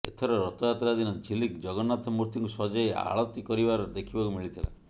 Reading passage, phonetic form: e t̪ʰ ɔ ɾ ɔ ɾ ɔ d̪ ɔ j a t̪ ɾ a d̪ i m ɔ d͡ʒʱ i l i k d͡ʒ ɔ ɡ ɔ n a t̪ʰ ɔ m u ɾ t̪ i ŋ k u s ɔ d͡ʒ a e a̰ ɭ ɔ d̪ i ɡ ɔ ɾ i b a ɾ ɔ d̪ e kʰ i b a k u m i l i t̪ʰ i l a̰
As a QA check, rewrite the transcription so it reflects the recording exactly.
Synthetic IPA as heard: e t̪ʰ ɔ ɾ ɔ ɾ ɔ t̪ ɔ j a t̪ ɾ a d̪ i n ɔ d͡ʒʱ i l i k d͡ʒ ɔ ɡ ɔ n a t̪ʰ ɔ m u ɾ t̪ i ŋ k u s ɔ d͡ʒ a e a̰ ɭ ɔ t̪ i k ɔ ɾ i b a ɾ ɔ d̪ e kʰ i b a k u m i ɭ i t̪ʰ i l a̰